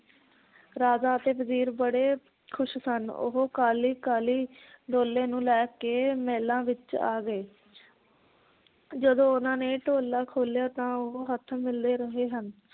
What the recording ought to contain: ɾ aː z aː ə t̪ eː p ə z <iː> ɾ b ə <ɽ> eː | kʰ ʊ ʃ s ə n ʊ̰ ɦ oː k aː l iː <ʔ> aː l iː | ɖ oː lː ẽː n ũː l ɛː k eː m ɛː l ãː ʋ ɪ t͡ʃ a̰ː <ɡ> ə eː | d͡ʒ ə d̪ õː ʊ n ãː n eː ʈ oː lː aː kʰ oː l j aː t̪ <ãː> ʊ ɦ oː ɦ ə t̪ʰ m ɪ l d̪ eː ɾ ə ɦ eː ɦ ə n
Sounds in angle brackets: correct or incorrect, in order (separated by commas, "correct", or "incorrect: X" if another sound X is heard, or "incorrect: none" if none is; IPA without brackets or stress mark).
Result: correct, correct, incorrect: k, correct, correct